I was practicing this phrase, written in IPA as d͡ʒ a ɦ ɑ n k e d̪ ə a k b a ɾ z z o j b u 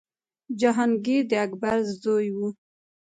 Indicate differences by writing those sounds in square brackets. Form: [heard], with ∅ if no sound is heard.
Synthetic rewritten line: d͡ʒ a ɦ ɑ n [ɡ] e d̪ ə a k b a ɾ z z o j [w] u